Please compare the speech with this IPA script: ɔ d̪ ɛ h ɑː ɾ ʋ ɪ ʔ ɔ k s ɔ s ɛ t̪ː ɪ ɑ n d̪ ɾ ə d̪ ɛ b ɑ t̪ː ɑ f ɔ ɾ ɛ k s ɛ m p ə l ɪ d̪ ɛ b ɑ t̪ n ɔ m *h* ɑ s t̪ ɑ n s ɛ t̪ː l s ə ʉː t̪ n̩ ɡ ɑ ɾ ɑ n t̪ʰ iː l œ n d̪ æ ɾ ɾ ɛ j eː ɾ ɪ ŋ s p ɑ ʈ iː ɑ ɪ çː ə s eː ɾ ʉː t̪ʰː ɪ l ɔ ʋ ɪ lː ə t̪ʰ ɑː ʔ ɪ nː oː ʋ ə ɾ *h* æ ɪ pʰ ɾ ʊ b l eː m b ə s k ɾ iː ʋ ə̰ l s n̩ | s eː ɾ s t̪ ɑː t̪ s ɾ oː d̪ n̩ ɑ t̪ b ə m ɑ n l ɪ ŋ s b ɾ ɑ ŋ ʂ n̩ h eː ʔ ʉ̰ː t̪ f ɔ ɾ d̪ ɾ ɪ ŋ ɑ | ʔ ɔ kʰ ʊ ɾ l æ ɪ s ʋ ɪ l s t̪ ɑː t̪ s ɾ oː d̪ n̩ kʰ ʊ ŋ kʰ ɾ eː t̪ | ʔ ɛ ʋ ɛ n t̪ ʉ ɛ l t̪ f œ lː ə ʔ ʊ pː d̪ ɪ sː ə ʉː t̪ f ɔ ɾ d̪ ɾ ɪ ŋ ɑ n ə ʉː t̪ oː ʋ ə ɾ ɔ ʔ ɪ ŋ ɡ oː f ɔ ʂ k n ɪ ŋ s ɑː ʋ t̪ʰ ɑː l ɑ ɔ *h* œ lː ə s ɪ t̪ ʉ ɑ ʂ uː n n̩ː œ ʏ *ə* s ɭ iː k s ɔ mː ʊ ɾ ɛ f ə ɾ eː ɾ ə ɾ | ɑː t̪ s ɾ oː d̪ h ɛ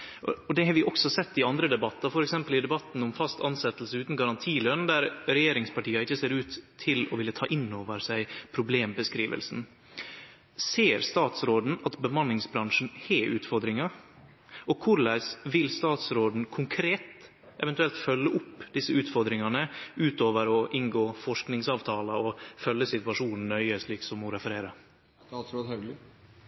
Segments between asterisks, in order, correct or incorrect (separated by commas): incorrect, incorrect, incorrect, correct